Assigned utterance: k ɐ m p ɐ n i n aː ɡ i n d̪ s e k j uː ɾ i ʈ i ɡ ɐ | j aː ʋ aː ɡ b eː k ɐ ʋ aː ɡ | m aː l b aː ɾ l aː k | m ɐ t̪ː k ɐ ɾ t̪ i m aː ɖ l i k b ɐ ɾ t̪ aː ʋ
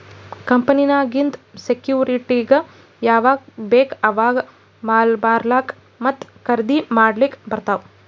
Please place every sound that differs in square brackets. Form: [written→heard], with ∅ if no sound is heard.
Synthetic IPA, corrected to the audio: k ɐ m p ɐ n i n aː ɡ i n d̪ s e k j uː ɾ i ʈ i ɡ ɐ | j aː ʋ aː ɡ b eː k ɐ ʋ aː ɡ | m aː l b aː ɾ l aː k | m ɐ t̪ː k ɐ ɾ [t̪→d̪] i m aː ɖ l i k b ɐ ɾ t̪ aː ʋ